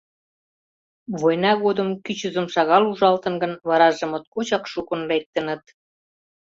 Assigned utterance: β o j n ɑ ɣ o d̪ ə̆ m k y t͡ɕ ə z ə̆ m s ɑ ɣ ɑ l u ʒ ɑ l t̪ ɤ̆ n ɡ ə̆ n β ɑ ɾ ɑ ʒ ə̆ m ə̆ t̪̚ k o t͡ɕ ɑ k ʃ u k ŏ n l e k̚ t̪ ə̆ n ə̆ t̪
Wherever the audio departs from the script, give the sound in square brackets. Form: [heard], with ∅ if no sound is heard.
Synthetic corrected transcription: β o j n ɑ ɣ o d̪ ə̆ m k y t͡ɕ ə z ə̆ m [ʃ] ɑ ɣ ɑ l u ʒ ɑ l t̪ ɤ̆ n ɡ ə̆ n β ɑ ɾ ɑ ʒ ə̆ m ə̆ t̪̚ k o t͡ɕ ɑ k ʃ u k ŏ n l e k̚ t̪ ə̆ n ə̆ t̪